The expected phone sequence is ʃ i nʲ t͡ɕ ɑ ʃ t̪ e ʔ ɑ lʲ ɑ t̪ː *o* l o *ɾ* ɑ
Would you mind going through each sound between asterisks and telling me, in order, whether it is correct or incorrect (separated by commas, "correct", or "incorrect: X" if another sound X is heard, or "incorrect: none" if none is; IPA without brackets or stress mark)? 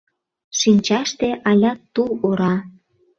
incorrect: u, correct